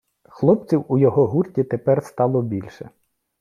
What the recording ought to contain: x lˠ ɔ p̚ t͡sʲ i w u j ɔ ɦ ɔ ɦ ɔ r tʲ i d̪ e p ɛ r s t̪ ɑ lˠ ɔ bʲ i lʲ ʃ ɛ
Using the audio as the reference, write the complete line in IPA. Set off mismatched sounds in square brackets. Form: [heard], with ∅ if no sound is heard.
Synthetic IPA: x lˠ ɔ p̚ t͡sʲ i w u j ɔ ɦ ɔ ɦ [u] r tʲ i [t̪] e p ɛ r s t̪ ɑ lˠ ɔ bʲ i lʲ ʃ ɛ